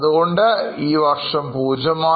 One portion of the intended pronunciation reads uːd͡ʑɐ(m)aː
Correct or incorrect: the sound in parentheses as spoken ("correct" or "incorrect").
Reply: correct